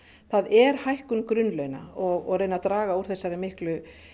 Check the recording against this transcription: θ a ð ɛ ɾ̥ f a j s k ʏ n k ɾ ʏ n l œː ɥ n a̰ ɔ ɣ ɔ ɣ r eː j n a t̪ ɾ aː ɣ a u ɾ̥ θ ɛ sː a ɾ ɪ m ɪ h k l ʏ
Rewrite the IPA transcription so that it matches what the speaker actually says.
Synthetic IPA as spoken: θ a ð ɛ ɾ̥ h a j h k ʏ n k ɾ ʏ n l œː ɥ n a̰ ɔ ɣ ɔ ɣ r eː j n a t̪ ɾ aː ɣ a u ɾ̥ θ ɛ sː a ɾ ɪ m ɪ h k l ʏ